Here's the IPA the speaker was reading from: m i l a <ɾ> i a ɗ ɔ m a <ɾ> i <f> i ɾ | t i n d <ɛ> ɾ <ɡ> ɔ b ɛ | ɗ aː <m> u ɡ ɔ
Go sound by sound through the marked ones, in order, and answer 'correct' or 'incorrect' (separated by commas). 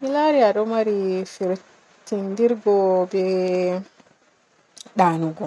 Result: correct, correct, correct, incorrect, correct, incorrect